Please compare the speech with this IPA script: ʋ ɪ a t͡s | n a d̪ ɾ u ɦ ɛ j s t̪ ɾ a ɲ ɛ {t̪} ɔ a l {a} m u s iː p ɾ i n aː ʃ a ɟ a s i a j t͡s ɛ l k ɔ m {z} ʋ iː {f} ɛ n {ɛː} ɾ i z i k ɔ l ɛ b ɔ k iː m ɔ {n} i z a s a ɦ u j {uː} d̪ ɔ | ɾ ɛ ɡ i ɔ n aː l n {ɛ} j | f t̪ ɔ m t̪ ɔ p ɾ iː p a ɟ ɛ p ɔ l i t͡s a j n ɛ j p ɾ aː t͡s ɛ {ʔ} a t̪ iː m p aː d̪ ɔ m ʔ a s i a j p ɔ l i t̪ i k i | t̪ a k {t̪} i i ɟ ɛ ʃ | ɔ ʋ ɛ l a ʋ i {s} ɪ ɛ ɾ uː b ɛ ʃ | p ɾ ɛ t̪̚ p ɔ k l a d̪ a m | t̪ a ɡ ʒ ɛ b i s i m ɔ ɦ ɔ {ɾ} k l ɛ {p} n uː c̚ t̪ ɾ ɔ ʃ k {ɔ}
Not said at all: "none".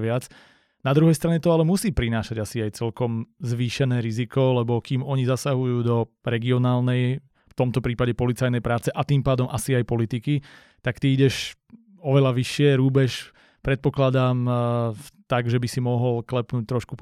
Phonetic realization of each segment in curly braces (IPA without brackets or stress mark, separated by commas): t̪, ɛ, z, ʃ, ɛː, ɲ, uː, ɛ, ʔ, t̪, ʃ, l, p, u